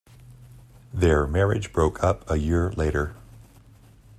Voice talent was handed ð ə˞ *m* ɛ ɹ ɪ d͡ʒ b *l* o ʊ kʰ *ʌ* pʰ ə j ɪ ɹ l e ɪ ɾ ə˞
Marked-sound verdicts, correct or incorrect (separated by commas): correct, incorrect, correct